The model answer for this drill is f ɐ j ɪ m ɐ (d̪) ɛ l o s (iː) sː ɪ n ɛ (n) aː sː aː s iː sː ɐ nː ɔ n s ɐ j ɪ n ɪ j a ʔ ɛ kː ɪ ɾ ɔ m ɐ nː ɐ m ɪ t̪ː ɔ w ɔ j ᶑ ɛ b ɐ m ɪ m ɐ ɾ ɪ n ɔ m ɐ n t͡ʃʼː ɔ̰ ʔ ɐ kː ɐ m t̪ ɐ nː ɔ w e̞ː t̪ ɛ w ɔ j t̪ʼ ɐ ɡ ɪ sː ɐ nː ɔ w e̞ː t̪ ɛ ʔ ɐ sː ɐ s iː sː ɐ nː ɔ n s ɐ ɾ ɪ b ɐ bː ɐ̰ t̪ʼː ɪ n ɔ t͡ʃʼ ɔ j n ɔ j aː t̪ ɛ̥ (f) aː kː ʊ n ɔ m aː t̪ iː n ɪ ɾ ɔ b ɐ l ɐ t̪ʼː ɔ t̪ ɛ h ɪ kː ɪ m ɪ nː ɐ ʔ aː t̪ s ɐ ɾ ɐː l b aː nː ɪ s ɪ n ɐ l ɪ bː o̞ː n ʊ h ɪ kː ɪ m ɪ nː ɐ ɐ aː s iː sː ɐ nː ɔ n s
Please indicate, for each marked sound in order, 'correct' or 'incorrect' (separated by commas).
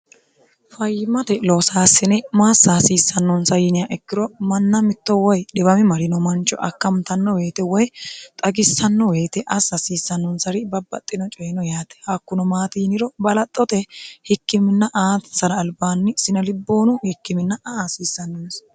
incorrect, incorrect, incorrect, incorrect